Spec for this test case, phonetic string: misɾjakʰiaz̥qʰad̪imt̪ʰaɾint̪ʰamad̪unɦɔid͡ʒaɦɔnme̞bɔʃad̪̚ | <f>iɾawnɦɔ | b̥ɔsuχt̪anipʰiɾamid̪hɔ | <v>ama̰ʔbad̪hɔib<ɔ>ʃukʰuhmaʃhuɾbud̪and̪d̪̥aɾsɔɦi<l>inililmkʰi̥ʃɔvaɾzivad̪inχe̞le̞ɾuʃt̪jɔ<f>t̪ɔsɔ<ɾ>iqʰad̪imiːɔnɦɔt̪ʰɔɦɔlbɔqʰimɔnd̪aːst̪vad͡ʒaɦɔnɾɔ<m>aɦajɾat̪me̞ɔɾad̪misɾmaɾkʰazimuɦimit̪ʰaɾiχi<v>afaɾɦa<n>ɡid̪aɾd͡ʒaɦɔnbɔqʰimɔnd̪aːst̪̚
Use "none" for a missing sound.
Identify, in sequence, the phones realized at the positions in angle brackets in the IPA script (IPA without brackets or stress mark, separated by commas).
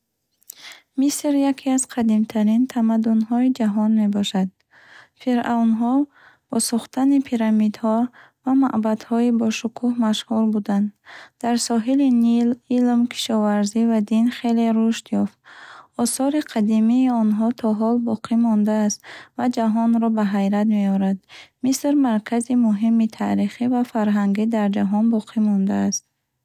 f, v, ɔ, l, f, ɾ, b, v, ŋ